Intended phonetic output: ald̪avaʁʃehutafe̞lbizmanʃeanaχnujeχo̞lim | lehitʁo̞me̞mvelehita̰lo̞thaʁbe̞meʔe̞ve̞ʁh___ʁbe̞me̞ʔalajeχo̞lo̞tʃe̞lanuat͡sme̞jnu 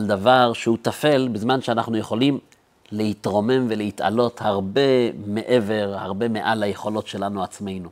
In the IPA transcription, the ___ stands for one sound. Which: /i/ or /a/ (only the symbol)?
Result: a